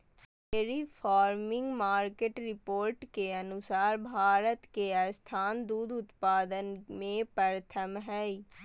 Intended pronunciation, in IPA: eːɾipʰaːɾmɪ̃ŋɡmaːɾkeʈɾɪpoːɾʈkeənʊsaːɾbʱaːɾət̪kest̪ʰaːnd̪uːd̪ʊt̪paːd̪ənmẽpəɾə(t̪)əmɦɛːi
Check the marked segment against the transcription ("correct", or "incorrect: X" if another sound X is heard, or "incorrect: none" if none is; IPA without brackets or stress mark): incorrect: t̪ʰ